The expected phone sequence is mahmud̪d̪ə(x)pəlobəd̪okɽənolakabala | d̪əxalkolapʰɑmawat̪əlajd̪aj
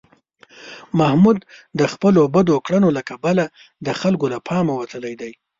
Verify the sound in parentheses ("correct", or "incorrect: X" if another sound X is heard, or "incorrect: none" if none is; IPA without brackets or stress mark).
correct